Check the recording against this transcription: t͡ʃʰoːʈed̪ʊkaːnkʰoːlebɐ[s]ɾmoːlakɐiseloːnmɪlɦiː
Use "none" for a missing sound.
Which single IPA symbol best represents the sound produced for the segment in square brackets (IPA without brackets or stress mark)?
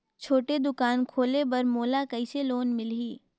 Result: none